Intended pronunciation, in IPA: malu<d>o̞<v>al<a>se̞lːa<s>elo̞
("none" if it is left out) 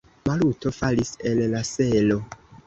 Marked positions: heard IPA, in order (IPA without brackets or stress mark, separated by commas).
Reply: t, f, i, s